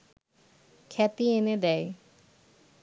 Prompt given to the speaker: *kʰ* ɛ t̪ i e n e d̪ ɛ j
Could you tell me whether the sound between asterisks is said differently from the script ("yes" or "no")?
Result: no